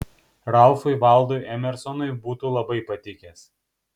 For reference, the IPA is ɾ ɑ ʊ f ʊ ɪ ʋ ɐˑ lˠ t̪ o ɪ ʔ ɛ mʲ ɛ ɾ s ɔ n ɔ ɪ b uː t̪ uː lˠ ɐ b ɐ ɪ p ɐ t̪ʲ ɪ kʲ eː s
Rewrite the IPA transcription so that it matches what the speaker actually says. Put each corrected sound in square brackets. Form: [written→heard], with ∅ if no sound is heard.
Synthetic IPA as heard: ɾ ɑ ʊ f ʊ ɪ ʋ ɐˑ lˠ [t̪→d̪] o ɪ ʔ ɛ mʲ ɛ ɾ s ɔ n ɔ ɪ b uː t̪ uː lˠ ɐ b ɐ ɪ p ɐ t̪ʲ ɪ kʲ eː s